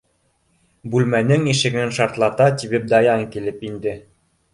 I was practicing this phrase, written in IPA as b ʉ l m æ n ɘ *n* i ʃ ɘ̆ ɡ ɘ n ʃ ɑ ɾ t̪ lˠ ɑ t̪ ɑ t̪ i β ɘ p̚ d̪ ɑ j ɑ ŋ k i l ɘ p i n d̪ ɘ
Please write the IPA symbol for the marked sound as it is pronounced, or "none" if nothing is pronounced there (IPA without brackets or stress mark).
ŋ